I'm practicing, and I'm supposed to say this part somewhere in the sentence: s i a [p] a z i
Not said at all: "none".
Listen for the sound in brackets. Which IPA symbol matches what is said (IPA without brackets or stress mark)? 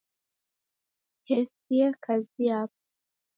k